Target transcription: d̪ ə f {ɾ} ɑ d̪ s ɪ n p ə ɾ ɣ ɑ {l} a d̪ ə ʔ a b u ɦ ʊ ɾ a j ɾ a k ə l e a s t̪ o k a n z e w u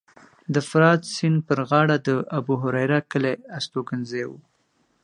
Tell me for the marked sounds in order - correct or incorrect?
correct, incorrect: ɽ

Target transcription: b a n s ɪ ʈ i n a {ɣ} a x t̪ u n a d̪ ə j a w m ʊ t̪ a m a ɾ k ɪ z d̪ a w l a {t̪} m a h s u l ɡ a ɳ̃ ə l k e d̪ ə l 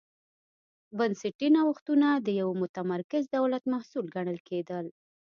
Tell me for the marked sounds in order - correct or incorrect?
incorrect: w, correct

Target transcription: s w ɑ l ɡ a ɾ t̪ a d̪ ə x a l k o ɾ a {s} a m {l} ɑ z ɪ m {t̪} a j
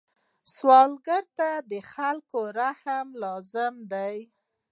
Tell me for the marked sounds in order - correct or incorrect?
incorrect: h, correct, incorrect: d̪

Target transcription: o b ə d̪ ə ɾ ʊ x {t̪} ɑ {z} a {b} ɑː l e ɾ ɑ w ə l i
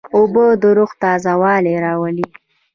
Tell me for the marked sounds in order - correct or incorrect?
correct, correct, incorrect: w

